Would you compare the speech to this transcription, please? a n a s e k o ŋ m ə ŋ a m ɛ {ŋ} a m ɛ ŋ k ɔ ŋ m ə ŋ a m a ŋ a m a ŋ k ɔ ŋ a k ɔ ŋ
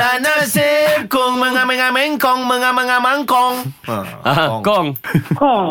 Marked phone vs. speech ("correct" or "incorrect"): correct